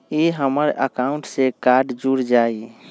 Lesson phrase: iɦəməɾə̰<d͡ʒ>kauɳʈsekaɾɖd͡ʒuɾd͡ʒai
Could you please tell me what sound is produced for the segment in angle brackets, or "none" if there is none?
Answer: none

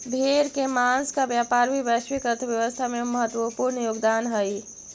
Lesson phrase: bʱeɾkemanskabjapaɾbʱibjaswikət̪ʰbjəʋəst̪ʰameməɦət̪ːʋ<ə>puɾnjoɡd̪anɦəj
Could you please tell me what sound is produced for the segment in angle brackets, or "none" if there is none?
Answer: ə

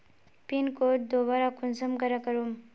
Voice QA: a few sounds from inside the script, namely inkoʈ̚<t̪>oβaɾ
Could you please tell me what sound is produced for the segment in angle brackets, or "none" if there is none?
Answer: d̪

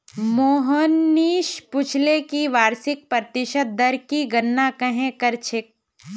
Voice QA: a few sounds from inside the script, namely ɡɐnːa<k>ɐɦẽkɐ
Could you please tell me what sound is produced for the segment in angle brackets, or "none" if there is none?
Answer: k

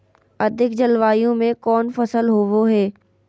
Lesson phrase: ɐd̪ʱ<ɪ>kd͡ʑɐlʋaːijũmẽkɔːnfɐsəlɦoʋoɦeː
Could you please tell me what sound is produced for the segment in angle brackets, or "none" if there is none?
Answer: ɪ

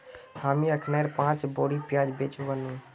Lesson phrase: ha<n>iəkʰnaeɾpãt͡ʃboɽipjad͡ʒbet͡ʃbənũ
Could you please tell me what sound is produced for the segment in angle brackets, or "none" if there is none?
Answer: m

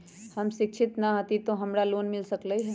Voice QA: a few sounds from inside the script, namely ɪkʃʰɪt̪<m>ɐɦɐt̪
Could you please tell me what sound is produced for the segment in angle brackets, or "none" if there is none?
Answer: n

